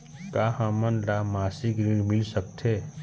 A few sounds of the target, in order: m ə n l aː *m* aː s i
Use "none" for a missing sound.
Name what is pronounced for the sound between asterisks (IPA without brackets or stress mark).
m